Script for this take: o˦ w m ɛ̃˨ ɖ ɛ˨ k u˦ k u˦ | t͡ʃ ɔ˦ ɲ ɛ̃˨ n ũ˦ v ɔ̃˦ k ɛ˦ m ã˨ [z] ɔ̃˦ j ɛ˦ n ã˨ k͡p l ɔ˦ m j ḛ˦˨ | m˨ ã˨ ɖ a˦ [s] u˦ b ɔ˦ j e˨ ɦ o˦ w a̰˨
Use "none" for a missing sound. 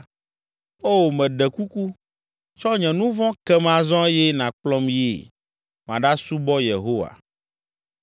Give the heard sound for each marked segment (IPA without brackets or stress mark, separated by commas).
z, s